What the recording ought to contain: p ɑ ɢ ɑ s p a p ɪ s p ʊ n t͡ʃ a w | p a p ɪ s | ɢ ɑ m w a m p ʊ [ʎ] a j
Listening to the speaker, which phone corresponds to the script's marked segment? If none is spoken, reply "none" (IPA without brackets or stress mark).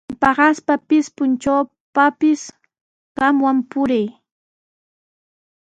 ɾ